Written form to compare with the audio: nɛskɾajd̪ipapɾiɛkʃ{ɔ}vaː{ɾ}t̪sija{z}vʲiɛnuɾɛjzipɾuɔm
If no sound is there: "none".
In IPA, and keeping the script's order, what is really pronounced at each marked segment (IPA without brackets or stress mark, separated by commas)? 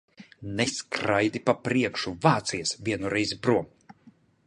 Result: u, none, s